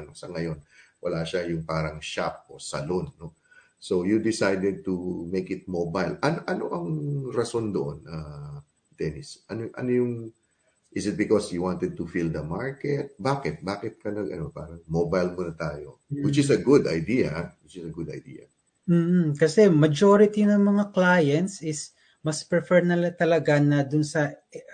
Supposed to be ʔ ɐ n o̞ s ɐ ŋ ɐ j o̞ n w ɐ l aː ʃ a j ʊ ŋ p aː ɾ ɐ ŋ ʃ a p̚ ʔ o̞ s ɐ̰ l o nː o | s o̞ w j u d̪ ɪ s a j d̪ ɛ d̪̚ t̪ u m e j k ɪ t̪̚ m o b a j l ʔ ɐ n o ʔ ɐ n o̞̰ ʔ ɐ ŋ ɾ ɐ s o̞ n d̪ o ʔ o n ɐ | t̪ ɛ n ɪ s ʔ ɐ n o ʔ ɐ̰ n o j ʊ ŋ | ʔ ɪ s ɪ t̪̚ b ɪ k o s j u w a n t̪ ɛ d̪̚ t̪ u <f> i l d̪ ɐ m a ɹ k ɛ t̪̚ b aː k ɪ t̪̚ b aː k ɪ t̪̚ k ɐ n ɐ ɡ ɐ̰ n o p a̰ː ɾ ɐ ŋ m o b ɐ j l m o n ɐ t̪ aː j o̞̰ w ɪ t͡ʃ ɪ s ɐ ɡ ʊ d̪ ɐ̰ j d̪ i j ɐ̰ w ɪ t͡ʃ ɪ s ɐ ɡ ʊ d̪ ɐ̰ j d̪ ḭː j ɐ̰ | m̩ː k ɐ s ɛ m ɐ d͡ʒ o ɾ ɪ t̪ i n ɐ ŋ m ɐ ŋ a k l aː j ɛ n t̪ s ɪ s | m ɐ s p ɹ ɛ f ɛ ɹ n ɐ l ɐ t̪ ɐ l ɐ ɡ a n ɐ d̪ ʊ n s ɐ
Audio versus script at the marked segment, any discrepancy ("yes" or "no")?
no